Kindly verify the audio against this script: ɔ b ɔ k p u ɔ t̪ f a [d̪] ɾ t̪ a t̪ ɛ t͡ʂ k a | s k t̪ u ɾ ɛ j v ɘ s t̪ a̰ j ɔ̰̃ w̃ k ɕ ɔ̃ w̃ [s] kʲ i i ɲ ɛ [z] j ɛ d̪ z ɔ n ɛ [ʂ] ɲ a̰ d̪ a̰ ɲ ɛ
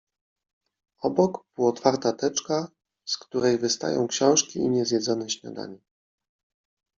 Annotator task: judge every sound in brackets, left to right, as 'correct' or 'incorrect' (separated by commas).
incorrect, incorrect, correct, incorrect